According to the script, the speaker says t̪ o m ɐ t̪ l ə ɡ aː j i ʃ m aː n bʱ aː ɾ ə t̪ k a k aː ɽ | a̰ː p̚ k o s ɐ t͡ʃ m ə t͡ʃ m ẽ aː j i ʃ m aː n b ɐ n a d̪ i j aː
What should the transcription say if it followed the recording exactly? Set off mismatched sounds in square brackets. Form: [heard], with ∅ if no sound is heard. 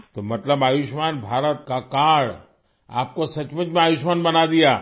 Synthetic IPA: t̪ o m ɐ t̪ l ə [b] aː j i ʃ m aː n bʱ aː ɾ ə t̪ k a k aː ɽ | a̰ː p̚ k o s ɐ t͡ʃ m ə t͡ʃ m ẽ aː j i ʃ m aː n b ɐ n a d̪ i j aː